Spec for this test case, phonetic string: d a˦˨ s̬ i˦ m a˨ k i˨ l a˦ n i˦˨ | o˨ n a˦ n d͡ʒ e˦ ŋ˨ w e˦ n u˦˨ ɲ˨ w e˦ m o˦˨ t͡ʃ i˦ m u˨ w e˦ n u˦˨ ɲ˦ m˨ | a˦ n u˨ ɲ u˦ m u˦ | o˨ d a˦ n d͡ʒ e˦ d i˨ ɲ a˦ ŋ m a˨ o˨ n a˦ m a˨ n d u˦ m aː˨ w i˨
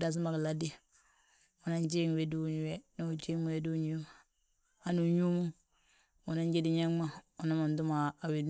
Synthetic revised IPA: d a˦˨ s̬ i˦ m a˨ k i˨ l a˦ d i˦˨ | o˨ n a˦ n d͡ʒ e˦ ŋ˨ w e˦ d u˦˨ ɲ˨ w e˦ n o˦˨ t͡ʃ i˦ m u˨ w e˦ d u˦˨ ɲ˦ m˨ | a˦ n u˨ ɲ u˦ m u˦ | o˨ n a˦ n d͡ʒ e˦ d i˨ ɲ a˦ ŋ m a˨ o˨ n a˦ m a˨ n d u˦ m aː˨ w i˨

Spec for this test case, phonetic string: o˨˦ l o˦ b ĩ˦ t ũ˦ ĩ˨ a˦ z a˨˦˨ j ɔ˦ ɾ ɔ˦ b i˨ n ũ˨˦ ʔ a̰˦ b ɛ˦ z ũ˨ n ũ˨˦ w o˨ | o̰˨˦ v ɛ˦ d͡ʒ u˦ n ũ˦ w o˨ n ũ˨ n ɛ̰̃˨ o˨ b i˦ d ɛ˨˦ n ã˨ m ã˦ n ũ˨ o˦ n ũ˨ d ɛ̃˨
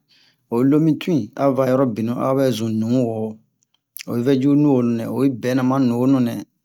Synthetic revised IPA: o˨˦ l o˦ m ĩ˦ t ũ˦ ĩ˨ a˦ v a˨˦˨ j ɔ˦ ɾ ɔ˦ b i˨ n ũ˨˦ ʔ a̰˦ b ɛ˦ z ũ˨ n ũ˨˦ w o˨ | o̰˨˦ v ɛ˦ d͡ʒ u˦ n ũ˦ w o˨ n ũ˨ n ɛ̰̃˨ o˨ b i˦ b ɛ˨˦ n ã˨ m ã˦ n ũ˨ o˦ n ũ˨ n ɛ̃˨

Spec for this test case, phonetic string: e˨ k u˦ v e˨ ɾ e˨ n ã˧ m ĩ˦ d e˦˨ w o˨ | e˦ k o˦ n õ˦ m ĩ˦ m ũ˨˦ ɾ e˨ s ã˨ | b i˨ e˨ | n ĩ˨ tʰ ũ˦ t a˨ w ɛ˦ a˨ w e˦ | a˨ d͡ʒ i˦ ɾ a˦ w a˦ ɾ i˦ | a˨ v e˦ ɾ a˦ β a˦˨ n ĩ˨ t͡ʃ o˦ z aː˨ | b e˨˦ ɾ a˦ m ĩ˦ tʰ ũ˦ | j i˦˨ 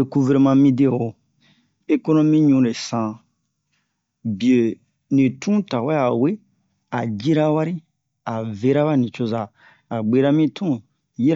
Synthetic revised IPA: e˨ k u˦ v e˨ ɾ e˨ m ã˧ m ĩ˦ d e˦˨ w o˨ | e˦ k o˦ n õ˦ m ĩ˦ ɲ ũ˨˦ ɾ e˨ s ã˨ | b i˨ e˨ | n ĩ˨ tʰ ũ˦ t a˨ w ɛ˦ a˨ w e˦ | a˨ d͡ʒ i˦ ɾ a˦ w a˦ ɾ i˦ | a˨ v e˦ ɾ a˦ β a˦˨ n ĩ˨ t͡ʃ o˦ z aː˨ | ɡ͡b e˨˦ ɾ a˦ m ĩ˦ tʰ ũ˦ | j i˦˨

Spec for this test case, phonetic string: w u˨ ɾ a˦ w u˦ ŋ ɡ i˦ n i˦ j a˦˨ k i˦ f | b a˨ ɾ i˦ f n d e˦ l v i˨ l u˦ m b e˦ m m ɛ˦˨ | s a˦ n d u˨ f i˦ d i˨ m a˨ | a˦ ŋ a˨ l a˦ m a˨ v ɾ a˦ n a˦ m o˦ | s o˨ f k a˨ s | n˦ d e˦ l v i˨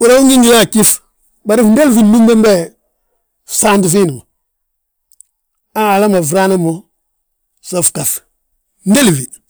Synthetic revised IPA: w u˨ ɾ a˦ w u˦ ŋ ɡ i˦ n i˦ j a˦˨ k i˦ f | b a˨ ɾ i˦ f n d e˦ l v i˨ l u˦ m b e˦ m b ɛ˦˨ | s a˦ n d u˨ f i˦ n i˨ m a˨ | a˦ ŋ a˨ l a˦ m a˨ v ɾ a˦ n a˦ m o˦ | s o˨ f k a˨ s | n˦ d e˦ l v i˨

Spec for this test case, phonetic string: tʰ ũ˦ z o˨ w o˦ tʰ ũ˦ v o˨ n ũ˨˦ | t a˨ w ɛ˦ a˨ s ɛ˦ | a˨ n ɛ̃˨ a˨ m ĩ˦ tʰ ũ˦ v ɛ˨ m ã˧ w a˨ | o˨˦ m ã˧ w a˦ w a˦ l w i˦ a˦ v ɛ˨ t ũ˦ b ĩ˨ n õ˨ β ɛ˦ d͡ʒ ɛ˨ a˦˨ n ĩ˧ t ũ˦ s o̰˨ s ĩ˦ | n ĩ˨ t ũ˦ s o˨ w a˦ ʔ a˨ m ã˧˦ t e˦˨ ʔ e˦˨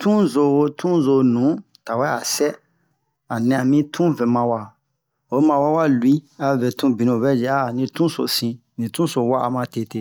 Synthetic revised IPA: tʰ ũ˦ z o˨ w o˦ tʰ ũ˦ z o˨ n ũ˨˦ | t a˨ w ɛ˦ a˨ s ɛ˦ | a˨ n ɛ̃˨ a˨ m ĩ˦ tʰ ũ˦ v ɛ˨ m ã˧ w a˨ | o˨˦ m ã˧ w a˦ w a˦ l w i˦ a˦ v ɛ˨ t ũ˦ b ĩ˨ n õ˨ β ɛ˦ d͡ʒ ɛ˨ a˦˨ n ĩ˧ t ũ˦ s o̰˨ s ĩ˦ | n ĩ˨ t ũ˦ s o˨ w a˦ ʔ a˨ m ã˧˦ t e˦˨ t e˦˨

